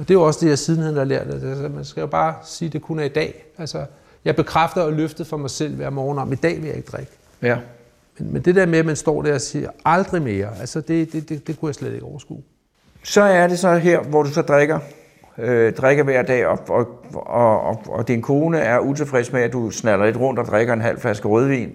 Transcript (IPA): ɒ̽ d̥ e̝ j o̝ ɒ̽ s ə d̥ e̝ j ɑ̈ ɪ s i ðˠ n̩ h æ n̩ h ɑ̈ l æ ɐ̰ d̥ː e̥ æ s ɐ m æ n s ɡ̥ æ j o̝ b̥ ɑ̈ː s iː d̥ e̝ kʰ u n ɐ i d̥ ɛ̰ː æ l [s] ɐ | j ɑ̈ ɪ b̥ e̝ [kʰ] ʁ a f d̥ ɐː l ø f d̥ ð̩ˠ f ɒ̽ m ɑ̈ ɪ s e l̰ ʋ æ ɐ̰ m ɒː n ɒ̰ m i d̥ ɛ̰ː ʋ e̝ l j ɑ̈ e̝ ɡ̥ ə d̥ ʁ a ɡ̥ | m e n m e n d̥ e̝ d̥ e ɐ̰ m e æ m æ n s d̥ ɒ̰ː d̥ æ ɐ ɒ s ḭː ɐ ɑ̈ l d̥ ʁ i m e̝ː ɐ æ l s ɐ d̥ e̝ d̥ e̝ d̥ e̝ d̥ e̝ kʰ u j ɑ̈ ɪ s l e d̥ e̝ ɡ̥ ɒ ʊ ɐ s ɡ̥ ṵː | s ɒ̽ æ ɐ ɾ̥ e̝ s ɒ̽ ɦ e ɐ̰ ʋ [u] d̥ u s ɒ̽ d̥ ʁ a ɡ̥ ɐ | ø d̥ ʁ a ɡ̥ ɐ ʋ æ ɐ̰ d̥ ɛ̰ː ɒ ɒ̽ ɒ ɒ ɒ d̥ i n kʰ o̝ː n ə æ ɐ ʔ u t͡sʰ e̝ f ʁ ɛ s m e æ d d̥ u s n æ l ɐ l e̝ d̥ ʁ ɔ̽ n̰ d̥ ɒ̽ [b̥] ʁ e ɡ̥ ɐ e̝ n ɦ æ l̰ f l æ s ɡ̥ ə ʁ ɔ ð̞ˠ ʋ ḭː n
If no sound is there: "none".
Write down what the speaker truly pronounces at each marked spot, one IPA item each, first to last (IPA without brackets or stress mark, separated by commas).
s, kʰ, ɒ, d̥